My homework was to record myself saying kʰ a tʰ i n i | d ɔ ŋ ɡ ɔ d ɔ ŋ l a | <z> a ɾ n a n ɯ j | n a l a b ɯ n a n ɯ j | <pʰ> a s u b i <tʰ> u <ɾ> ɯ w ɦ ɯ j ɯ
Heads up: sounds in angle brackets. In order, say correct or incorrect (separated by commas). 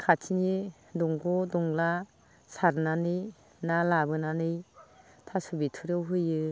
incorrect, incorrect, correct, correct